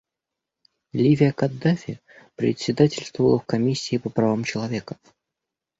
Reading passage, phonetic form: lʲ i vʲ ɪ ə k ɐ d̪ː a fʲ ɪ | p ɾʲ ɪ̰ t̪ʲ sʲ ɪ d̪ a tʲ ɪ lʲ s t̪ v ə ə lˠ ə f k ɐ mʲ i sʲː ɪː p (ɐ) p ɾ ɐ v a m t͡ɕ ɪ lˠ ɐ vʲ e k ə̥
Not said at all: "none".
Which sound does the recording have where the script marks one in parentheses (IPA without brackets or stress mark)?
ə